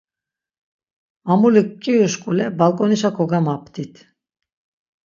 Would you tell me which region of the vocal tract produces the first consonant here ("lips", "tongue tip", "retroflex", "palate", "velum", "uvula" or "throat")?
lips